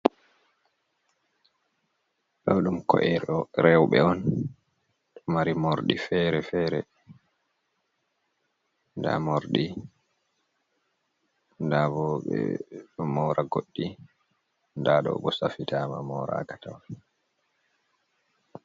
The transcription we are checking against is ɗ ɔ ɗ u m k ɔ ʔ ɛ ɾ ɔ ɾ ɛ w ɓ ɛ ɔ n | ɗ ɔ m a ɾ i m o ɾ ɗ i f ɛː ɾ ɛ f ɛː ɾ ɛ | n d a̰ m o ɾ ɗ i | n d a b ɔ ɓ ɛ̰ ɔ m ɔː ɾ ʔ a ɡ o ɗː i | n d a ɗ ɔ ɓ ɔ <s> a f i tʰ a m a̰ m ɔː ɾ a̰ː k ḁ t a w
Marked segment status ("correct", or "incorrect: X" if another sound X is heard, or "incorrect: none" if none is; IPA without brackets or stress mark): correct